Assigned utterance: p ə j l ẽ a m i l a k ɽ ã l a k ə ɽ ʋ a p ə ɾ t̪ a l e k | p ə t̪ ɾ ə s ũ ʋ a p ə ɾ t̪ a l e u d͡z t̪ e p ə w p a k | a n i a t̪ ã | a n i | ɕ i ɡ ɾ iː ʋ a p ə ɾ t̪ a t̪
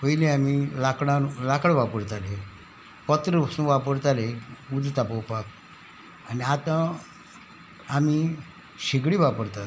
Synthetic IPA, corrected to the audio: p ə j l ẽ a m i l a k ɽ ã l a k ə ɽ ʋ a p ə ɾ t̪ a l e | p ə t̪ ɾ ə s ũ ʋ a p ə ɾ t̪ a l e u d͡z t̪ a p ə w p a k | a n i a t̪ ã | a m i | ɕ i ɡ ɽ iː ʋ a p ə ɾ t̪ a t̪